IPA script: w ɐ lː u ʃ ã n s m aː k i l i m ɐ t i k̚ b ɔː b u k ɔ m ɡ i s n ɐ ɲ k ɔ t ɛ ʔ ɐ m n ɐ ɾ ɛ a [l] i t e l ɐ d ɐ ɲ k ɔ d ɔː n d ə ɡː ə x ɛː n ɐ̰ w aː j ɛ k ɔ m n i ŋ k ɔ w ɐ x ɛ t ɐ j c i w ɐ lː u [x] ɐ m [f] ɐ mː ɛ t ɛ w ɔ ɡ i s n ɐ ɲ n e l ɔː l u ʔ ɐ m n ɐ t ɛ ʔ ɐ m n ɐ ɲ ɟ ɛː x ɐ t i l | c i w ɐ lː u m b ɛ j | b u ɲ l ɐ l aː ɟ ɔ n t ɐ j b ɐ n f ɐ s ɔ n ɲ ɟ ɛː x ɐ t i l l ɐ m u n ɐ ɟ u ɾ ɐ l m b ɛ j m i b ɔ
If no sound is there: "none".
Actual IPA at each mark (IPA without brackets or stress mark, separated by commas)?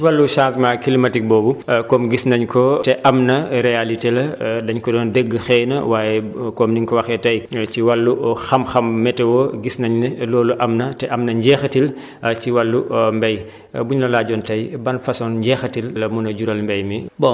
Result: l, x, x